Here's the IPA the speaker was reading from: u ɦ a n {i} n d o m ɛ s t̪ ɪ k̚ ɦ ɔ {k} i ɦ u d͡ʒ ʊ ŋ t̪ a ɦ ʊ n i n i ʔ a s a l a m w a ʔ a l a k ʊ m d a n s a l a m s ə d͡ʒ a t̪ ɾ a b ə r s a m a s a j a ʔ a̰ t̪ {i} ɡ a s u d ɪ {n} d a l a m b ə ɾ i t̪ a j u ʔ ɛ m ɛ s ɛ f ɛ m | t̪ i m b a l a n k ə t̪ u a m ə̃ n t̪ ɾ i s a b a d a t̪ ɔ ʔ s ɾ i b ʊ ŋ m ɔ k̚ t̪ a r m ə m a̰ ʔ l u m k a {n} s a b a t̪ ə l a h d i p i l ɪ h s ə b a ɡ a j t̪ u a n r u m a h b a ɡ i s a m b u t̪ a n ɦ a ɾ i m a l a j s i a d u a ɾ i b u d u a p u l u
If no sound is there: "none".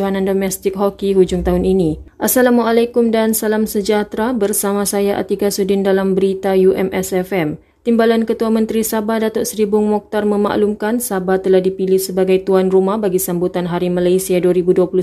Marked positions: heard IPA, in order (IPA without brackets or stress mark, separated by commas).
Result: a, k, i, n, n